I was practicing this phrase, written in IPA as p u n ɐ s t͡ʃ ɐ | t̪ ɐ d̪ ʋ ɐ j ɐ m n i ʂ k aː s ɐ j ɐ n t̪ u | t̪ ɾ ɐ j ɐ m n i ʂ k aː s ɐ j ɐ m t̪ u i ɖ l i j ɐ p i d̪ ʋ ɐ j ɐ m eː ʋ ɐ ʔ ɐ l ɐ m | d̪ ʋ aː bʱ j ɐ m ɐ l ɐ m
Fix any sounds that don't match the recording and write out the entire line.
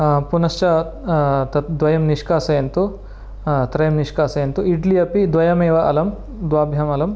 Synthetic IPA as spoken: p u n ɐ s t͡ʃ ɐ | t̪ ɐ d̪ ʋ ɐ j ɐ m n i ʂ k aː s ɐ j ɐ n t̪ u | t̪ ɾ ɐ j ɐ m n i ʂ k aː s ɐ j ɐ n t̪ u i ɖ l i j ɐ p i d̪ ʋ ɐ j ɐ m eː ʋ ɐ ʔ ɐ l ɐ m | d̪ ʋ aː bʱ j ɐ m ɐ l ɐ m